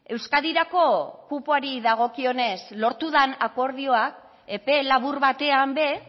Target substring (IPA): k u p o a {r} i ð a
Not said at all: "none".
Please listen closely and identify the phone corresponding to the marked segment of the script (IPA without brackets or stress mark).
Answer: ɾ